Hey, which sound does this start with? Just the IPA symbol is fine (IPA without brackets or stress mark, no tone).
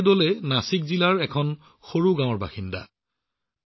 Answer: d